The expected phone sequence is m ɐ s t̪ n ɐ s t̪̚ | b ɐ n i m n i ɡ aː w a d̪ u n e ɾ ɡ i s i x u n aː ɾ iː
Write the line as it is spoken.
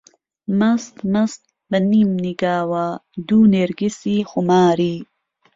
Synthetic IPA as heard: m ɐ s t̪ m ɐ s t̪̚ | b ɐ n i m n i ɡ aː w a d̪ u n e ɾ ɡ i s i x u m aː ɾ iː